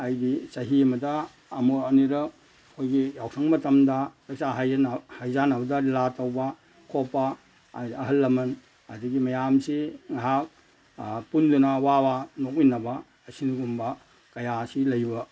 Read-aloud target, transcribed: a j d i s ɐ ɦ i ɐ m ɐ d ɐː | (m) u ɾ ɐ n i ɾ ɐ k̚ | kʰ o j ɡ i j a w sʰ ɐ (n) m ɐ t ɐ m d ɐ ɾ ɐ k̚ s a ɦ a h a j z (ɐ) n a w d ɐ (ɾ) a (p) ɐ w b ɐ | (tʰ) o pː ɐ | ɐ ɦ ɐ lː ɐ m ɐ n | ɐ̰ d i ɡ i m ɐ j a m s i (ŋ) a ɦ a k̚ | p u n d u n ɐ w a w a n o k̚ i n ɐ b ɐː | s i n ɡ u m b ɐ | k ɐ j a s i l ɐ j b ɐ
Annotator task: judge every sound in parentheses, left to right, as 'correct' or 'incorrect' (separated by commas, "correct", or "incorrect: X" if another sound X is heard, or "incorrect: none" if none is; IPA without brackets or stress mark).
correct, incorrect: ŋ, incorrect: a, incorrect: l, incorrect: t, incorrect: kʰ, correct